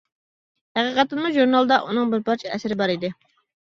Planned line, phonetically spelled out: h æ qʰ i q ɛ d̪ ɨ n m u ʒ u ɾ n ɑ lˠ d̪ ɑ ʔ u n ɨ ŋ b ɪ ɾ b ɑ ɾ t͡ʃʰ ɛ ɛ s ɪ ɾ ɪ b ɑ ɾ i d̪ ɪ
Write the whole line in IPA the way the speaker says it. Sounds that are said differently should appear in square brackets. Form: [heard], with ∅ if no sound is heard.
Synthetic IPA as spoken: h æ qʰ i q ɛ [t̪] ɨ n m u ʒ u ɾ n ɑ lˠ d̪ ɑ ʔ u n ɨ ŋ b ɪ ɾ b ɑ ɾ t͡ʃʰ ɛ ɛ s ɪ ɾ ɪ b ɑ ɾ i d̪ ɪ